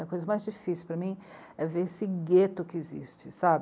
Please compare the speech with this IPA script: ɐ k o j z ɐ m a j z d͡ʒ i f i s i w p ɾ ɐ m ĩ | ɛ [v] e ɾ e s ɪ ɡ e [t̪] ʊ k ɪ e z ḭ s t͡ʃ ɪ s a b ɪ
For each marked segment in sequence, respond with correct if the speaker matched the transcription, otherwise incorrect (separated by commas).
correct, correct